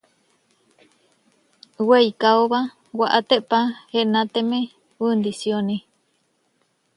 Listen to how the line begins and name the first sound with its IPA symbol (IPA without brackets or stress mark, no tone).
w